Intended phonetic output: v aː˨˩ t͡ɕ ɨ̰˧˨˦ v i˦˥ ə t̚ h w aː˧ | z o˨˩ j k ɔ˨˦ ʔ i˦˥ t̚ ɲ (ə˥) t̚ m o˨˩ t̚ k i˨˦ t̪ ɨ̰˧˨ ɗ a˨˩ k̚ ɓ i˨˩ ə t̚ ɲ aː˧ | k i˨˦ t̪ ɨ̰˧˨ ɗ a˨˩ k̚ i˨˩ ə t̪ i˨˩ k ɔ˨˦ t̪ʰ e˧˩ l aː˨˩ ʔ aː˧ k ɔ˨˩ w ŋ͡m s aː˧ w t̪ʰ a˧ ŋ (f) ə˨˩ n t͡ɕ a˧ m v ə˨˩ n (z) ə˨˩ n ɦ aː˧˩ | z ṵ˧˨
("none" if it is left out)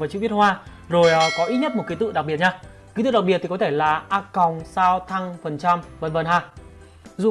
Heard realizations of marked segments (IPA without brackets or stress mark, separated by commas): ə˥, f, v